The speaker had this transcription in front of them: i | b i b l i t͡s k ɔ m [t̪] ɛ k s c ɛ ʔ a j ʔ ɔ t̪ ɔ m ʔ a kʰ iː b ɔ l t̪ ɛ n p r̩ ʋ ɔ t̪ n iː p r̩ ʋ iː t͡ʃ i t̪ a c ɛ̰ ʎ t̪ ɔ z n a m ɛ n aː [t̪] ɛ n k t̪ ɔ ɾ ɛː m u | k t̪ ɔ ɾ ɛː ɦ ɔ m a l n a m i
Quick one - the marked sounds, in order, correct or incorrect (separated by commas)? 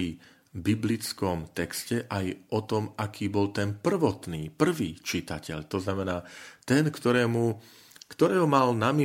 correct, correct